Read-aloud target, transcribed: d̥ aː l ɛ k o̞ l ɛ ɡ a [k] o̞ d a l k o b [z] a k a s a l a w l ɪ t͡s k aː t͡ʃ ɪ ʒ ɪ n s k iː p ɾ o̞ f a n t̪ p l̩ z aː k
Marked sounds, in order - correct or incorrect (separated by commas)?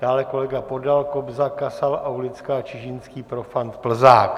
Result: incorrect, correct